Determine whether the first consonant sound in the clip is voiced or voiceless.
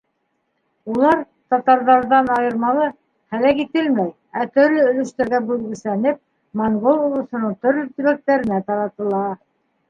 voiced